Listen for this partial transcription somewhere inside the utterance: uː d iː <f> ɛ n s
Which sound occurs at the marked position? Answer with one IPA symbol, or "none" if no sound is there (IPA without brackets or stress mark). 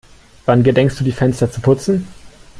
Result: f